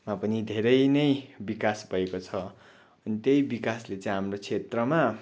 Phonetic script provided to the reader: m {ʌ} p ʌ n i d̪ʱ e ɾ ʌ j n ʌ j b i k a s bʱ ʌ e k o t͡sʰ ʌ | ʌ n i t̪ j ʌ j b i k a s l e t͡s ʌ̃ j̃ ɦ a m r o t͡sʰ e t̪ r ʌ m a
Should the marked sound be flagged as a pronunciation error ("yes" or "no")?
yes